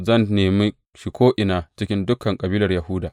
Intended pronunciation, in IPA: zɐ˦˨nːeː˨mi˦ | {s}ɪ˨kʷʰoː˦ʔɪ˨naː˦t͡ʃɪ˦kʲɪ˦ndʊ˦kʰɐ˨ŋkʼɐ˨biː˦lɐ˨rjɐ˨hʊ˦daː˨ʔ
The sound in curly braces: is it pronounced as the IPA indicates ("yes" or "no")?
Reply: no